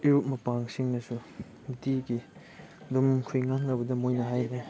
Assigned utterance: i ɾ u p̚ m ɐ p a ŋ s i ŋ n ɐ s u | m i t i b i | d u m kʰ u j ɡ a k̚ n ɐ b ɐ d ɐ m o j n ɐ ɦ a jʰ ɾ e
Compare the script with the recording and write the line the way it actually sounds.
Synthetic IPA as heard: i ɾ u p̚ m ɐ p a ŋ s i ŋ n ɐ s u | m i t i ɡ i | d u m kʰ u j ŋ a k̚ n ɐ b ɐ d ɐ m o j n ɐ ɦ a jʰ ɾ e